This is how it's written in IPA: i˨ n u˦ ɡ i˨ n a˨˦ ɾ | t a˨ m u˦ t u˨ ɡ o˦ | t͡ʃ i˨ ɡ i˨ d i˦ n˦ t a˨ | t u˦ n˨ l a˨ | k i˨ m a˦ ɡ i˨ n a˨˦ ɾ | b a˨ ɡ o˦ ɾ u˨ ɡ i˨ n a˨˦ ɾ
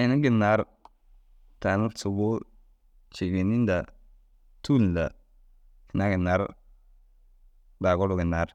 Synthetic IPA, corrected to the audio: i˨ n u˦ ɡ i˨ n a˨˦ ɾ | t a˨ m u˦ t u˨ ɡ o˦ | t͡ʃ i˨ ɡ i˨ n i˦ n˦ d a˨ | t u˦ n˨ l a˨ | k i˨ n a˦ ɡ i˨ n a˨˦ ɾ | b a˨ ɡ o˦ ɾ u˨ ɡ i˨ n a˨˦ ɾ